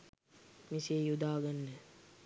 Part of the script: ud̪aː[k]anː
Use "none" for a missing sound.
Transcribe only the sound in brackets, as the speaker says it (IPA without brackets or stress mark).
ɡ